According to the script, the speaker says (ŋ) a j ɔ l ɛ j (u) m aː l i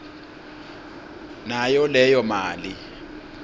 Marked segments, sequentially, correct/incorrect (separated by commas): incorrect, incorrect